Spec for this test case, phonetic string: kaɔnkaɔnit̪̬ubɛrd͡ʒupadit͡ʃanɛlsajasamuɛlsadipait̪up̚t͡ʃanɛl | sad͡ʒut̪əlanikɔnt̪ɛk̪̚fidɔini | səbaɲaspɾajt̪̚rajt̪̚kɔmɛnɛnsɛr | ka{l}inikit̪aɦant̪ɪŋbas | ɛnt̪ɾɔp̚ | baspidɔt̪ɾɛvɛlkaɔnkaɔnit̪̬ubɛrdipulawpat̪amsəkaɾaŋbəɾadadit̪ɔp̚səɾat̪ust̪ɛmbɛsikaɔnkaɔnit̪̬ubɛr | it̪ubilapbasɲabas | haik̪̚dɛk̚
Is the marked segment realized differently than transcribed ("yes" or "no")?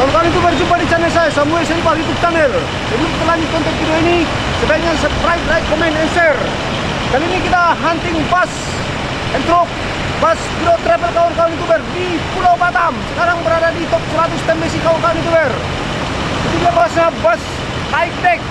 no